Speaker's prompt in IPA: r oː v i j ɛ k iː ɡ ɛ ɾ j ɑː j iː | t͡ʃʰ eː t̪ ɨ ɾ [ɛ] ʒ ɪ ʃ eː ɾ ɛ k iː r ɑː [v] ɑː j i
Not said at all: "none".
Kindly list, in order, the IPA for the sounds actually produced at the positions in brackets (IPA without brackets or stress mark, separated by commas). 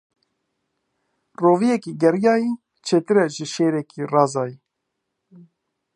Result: ɛ, z